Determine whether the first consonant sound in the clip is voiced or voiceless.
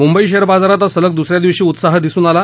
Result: voiced